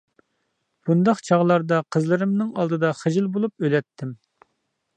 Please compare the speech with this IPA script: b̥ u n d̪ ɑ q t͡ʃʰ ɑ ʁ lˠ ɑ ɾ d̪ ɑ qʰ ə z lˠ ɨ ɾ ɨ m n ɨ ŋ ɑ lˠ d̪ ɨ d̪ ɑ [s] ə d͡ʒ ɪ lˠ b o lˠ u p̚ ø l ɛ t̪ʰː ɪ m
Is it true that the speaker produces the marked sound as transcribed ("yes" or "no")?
no